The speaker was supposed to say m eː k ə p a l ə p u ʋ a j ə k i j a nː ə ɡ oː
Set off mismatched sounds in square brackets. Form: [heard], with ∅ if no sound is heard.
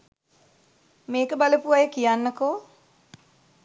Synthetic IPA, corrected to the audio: m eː k ə [b] a l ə p u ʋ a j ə k i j a nː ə [k] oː